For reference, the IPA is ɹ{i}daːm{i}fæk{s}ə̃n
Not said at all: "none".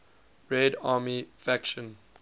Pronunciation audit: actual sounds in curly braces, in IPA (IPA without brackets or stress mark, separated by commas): ɛ, i, ʃ